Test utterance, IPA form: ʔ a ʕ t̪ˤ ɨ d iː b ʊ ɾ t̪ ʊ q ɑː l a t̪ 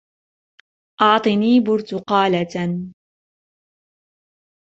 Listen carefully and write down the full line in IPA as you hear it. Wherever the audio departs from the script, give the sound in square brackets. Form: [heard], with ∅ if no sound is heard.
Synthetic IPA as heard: ʔ [ɑ] ʕ t̪ˤ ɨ [n] iː b ʊ ɾ t̪ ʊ q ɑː l a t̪

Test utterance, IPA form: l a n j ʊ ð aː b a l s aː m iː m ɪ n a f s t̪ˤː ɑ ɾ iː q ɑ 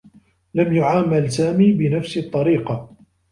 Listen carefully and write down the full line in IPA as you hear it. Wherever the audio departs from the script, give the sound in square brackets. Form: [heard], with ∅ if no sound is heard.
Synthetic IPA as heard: l a [m] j ʊ [ʕ] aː [m] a l s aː m iː [b] ɪ n a f s t̪ˤː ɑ ɾ iː q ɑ

